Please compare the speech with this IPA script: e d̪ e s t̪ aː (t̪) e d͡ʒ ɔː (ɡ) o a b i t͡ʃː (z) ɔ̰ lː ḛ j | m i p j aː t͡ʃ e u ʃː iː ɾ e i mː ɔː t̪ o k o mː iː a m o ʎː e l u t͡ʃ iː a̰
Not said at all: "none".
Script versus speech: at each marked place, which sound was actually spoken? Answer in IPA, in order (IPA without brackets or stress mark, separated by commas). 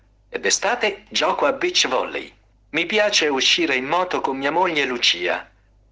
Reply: t̪, k, v